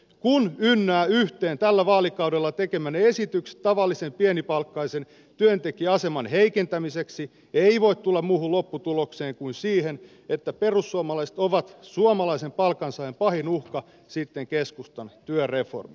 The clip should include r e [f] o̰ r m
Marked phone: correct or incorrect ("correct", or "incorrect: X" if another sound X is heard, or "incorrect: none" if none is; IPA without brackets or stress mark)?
correct